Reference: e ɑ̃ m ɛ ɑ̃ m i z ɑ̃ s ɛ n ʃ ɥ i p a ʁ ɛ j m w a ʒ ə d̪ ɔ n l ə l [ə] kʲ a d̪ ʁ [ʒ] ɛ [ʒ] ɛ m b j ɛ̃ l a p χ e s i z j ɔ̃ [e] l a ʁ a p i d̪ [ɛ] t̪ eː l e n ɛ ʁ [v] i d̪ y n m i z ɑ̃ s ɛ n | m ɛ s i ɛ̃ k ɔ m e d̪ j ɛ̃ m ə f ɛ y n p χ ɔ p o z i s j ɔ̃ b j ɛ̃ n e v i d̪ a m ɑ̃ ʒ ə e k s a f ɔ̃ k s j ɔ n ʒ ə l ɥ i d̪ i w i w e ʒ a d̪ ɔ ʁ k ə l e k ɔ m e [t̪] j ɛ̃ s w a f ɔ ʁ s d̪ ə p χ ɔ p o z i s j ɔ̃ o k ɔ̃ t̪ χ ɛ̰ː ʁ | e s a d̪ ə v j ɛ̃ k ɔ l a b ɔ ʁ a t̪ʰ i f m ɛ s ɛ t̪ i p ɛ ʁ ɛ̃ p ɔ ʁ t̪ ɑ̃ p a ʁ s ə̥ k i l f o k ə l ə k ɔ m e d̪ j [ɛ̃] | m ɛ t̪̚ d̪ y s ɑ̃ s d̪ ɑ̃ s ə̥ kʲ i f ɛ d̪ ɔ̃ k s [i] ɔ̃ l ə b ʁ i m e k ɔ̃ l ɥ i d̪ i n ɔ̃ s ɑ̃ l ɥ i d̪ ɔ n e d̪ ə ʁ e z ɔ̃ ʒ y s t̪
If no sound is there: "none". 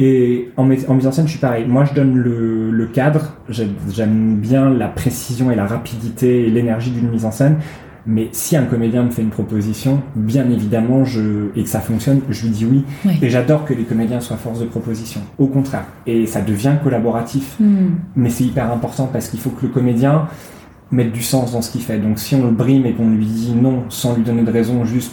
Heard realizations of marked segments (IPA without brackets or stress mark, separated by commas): ə, ʒ, ʒ, e, i, ʒ, d̪, ɛ̃, i